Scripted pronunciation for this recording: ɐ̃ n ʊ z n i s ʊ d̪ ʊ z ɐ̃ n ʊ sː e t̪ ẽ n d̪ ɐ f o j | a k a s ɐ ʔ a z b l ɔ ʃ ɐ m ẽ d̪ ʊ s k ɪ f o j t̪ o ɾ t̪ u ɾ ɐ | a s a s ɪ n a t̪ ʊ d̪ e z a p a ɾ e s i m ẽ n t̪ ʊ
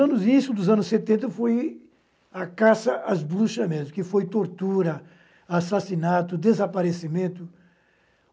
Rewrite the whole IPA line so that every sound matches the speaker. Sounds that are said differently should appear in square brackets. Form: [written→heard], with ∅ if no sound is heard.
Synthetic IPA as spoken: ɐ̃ n ʊ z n i s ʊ d̪ ʊ z ɐ̃ n ʊ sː e t̪ ẽ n [d̪→t̪] ɐ f o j | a k a s ɐ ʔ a z b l [ɔ→u] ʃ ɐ m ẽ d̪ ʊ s k ɪ f o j t̪ o ɾ t̪ u ɾ ɐ | a s a s [ɪ→i] n a t̪ ʊ d̪ e z a p a ɾ e s i m ẽ n t̪ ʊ